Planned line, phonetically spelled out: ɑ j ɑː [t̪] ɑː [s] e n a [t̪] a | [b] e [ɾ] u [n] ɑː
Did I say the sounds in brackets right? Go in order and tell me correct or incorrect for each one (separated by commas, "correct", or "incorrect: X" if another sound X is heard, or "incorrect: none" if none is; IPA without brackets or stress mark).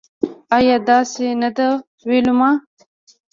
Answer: incorrect: d̪, correct, incorrect: d̪, incorrect: w, incorrect: l, incorrect: m